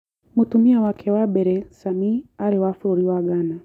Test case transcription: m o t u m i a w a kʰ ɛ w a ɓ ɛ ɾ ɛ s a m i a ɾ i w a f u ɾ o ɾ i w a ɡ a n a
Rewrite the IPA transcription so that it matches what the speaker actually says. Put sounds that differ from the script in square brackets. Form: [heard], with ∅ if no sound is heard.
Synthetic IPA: m [u] t u m i a w a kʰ ɛ w a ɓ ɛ ɾ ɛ s a m i a ɾ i w a f u ɾ [u] ɾ i w a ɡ a n a